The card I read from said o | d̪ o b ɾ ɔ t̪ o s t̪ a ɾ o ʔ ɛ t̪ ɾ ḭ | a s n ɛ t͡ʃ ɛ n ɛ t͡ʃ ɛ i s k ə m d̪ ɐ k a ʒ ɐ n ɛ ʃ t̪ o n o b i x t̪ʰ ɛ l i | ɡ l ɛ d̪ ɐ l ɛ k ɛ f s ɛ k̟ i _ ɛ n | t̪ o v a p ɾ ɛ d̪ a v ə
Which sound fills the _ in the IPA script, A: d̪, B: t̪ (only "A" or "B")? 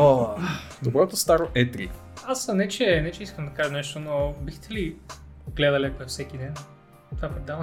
A